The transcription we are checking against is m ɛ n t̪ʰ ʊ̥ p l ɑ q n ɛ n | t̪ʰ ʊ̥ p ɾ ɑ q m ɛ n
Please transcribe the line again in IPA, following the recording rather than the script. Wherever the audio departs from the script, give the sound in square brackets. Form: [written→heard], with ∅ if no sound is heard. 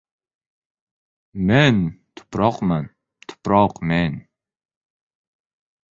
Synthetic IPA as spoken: m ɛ n t̪ʰ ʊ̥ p [l→ɾ] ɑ q [n→m] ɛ n | t̪ʰ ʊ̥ p ɾ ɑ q m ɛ n